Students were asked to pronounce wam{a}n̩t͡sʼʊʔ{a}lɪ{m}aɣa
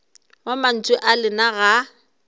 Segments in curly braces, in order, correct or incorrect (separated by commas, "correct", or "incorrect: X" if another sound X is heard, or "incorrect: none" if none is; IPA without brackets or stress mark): correct, correct, incorrect: n